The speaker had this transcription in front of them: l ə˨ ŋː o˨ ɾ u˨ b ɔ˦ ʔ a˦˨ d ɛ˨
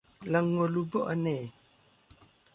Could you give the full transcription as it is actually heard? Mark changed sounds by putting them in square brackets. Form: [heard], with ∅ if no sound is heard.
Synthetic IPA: l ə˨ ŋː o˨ [l] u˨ b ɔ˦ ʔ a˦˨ [n] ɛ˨